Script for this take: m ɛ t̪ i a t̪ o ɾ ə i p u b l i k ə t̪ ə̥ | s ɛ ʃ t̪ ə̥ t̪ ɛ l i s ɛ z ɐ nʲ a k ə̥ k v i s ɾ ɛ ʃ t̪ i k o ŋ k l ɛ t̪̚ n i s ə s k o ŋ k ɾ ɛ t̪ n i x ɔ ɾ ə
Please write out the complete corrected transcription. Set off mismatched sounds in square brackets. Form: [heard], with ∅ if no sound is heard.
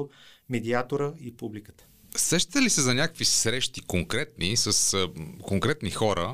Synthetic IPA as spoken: m ɛ [d̪] i a t̪ o ɾ ə i p u b l i k ə t̪ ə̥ | s ɛ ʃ t̪ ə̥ t̪ ɛ l i s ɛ z ɐ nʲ a k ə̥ k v i s ɾ ɛ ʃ t̪ i k o ŋ k [ɾ] ɛ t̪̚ n i s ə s k o ŋ k ɾ ɛ t̪ n i x ɔ ɾ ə